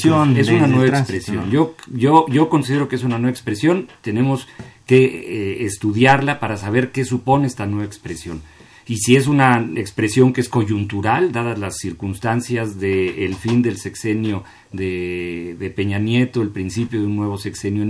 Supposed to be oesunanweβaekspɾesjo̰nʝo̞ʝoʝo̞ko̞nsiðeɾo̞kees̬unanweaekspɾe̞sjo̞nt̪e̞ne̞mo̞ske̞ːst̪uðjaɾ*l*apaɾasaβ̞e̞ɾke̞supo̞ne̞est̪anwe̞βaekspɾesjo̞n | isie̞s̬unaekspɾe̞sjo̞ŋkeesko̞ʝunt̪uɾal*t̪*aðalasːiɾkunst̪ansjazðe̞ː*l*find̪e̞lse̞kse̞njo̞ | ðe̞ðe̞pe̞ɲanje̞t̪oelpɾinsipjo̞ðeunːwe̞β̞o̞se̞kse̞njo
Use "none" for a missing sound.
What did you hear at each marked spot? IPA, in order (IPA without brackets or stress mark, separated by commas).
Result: l, d̪, l